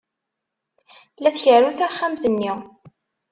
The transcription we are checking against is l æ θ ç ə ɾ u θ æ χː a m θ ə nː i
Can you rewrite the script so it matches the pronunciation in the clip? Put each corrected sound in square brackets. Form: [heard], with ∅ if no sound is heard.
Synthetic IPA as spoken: l æ θ ç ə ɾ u θ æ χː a m θ ə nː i